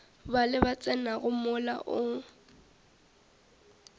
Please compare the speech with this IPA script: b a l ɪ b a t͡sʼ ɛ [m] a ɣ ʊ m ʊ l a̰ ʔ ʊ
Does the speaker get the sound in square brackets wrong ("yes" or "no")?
yes